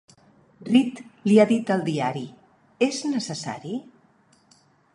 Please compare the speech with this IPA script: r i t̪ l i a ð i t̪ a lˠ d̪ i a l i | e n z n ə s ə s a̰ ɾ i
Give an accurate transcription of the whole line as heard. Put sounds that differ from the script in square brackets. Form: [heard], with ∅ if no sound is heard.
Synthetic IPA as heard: r i t̪ l i a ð i t̪ [ə] lˠ d̪ i a [ɾ] i | e [∅] z n ə s ə s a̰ ɾ i